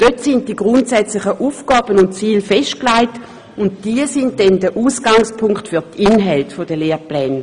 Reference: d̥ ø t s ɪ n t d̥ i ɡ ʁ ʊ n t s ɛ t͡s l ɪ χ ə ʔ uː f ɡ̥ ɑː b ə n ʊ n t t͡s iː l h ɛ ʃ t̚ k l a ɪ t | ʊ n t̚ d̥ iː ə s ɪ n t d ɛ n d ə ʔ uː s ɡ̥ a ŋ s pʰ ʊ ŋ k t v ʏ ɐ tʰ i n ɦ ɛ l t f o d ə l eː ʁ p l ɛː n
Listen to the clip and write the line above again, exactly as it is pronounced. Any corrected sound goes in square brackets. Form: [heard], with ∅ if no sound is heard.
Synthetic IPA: d̥ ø t s ɪ n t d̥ i ɡ ʁ ʊ n t s ɛ t͡s l ɪ χ ə ʔ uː f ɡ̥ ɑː b ə n ʊ n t t͡s iː l [f] ɛ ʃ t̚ k l a ɪ t | ʊ n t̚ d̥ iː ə s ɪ n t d ɛ n d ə ʔ uː s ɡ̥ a ŋ s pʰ ʊ ŋ k t [f] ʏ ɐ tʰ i n ɦ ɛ l t f o d ə l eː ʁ p l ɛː n